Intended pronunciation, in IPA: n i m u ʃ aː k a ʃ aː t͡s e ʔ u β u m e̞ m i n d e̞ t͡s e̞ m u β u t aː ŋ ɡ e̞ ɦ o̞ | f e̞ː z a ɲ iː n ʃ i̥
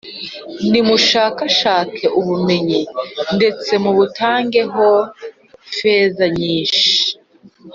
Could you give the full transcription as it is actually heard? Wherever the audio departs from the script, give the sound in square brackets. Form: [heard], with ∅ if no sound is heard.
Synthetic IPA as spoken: n i m u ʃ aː k a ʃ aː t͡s e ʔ u β u m e̞ [ɲ] i n d e̞ t͡s e̞ m u β u t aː ŋ ɡ e̞ ɦ o̞ | f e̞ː z a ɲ iː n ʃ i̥